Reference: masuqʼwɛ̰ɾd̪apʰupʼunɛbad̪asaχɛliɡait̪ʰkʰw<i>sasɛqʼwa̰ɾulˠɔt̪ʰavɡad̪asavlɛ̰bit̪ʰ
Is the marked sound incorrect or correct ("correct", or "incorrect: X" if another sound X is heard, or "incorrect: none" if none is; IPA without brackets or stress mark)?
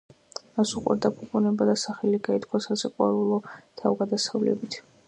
incorrect: a